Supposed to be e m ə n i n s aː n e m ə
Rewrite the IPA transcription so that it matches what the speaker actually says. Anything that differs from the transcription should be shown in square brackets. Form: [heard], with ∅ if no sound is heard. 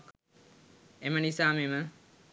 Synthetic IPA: e m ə n i [∅] s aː [m] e m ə

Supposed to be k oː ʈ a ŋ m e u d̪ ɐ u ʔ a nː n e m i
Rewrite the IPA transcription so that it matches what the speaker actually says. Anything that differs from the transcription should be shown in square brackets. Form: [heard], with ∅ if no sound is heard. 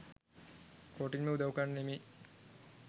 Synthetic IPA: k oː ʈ [i] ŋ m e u d̪ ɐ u [k] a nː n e m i

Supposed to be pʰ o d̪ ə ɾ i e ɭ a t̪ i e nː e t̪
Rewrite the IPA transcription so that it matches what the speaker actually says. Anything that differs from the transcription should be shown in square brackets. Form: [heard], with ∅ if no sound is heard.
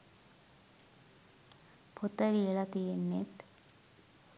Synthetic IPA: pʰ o [t̪] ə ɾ i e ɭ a t̪ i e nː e t̪

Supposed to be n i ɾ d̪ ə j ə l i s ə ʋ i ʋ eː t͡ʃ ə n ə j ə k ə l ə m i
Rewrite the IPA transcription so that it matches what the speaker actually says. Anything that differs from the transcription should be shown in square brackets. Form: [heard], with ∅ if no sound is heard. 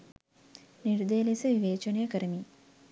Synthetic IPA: n i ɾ d̪ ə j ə l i s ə ʋ i ʋ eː t͡ʃ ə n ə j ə k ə [ɾ] ə m i

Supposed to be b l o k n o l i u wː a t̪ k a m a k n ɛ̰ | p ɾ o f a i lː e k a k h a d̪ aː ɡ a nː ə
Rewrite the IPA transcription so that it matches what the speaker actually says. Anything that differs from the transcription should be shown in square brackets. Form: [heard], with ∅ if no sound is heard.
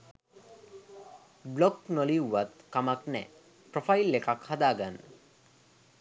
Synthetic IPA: b l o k n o l i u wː a t̪ k a m a k n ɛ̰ | p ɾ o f a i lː e k a k h a d̪ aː ɡ a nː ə

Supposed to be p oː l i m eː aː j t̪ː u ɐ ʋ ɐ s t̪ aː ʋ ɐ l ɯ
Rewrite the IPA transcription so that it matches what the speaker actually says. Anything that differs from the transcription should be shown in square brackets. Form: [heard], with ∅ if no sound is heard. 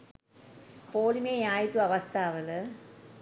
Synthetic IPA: p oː l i m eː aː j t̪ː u ɐ ʋ ɐ s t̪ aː ʋ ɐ l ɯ

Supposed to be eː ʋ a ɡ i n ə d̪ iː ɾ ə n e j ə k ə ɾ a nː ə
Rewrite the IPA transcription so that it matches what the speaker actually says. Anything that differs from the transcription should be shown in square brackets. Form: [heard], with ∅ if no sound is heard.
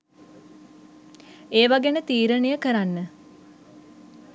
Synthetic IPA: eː ʋ a ɡ [e] n ə [t̪] iː ɾ ə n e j ə k ə ɾ a nː ə

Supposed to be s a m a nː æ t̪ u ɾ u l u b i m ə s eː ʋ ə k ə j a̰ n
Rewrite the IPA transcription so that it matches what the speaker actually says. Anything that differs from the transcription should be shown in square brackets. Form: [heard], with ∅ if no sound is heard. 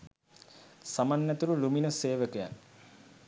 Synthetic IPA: s a m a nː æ t̪ u ɾ u l u [m] i [n] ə s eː ʋ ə k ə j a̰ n

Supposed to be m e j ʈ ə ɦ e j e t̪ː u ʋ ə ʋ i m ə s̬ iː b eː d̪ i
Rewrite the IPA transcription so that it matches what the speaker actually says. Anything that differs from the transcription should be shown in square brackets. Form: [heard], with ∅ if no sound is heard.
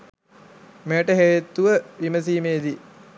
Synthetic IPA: m e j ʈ ə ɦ e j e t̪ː u ʋ ə ʋ i m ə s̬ iː [m] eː d̪ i

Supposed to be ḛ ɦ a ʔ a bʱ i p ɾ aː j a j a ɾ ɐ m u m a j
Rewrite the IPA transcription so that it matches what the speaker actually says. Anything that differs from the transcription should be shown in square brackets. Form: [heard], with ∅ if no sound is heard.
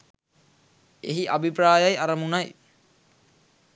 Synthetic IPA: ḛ ɦ [i] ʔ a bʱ i p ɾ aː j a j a ɾ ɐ m u [n] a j

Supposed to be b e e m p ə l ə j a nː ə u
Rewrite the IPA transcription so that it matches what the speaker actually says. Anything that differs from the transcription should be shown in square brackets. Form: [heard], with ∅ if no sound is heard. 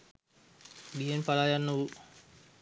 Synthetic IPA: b [i] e [n] p [a] l [a] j a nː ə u

